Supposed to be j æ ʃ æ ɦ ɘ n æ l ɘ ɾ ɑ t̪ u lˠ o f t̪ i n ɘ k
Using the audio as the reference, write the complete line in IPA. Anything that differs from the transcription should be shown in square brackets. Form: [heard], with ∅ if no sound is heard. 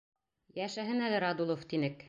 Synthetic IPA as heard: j æ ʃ æ ɦ ɘ n æ l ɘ ɾ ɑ [d̪] u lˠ o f t̪ i n ɘ k

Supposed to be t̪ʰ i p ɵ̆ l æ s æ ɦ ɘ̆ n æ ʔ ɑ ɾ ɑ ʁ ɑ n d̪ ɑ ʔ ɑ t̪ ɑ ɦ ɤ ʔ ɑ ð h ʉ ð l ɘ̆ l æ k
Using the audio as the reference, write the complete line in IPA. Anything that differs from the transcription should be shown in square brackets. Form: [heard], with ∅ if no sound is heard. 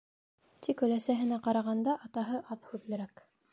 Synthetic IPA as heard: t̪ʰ i [k] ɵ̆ l æ s æ ɦ ɘ̆ n æ [q] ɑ ɾ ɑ ʁ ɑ n d̪ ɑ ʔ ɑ t̪ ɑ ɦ ɤ ʔ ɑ ð h ʉ ð l ɘ̆ [ɾ] æ k

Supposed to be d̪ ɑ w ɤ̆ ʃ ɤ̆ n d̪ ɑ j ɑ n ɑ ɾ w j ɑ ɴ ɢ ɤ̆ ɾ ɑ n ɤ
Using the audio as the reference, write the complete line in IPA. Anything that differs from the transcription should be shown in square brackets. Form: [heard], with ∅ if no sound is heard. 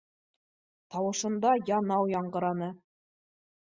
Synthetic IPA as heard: [t̪] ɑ w ɤ̆ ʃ ɤ̆ n d̪ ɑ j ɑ n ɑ [∅] w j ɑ ɴ ɢ ɤ̆ ɾ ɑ n ɤ

